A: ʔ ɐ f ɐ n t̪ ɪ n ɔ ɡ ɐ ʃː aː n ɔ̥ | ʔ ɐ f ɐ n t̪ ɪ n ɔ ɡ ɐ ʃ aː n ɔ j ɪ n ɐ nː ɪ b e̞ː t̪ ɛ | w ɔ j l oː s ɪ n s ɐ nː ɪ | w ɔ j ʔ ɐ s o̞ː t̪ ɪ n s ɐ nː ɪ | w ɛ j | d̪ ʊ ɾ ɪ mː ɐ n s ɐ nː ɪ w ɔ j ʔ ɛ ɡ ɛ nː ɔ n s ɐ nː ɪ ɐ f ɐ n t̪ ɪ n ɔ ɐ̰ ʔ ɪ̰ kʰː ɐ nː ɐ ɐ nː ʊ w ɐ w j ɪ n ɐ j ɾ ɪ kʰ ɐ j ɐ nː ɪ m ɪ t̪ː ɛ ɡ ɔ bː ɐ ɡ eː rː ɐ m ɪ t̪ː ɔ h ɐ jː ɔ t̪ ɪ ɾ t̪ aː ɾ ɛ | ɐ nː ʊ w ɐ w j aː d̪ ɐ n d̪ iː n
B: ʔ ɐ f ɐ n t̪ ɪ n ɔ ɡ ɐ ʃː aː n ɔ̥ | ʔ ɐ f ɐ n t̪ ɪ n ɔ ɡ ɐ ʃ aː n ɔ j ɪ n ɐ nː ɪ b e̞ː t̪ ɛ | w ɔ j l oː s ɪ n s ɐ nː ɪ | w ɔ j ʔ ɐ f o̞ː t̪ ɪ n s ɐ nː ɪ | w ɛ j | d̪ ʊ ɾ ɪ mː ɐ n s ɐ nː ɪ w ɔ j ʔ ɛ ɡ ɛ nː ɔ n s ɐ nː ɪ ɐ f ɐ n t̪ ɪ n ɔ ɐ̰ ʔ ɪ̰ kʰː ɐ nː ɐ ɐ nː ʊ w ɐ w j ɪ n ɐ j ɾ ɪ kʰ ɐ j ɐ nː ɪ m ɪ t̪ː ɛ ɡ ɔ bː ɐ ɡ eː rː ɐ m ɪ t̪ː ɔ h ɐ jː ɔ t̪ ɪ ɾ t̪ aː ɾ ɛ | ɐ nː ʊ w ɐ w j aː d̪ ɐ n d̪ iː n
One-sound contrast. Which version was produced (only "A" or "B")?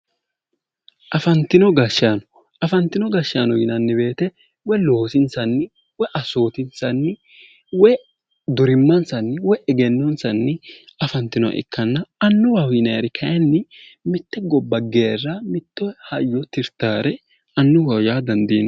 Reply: A